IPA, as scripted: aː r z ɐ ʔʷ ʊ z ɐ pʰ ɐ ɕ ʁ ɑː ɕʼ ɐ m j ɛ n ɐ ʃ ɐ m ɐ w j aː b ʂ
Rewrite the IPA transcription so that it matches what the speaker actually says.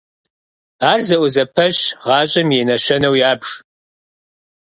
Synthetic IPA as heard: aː r z ɐ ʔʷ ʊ z ɐ pʰ ɐ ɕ ʁ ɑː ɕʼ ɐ m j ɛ n ɐ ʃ ɐ n ɐ w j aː b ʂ